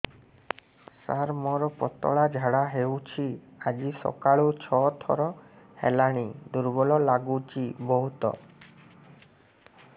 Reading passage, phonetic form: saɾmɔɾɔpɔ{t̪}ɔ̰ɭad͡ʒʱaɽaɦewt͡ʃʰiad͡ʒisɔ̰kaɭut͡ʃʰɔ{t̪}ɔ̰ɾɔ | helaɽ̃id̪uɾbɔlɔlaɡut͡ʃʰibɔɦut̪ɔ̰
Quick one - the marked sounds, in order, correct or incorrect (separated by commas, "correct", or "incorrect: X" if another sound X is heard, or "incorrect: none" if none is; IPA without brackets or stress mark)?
correct, incorrect: t̪ʰ